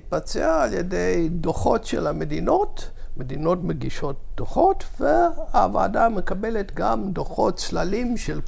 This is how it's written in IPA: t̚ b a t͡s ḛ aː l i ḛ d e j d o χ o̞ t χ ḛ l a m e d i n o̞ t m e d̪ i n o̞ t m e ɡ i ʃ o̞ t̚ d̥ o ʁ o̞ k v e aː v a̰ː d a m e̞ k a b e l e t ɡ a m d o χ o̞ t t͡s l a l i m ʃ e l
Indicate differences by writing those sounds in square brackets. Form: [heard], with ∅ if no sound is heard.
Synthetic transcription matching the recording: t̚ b a t͡s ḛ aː l [j] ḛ d e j d o χ o̞ t [ʃ] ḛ l a m e d i n o̞ t m e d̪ i n o̞ t m e ɡ i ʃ o̞ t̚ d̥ o [χ] o̞ [t] v e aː v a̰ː d a m e̞ k a b e l e t ɡ a m d o χ o̞ t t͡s l a l i m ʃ e l